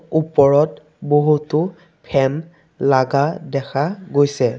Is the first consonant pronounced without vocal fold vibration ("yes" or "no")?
yes